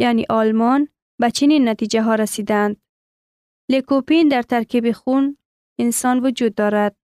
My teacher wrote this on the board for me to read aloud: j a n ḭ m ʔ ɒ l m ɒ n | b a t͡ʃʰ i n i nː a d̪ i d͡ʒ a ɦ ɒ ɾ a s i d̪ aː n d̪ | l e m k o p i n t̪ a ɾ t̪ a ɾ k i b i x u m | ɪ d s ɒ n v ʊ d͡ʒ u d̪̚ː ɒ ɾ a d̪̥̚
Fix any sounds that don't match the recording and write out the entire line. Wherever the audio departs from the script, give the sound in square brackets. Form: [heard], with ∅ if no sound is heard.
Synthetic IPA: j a n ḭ [∅] ʔ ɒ l m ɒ n | b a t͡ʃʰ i n i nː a [t̪] i d͡ʒ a ɦ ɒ ɾ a s i d̪ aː n d̪ | l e [∅] k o p i n [d̪] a ɾ t̪ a ɾ k i b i x u [n] | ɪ [n] s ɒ n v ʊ d͡ʒ u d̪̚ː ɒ ɾ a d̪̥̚